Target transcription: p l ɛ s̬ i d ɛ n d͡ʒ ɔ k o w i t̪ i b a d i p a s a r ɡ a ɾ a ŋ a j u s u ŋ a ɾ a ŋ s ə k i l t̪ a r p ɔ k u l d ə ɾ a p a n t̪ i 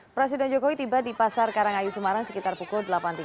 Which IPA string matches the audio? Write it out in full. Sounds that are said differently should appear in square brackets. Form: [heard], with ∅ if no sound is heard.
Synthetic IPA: p [ɾ] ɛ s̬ i d ɛ n d͡ʒ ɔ k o w i t̪ i b a d i p a s a r [k] a ɾ a ŋ a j u s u [m] a ɾ a ŋ s ə k i [∅] t̪ a r p [u] k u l d ə [l] a p a n t̪ i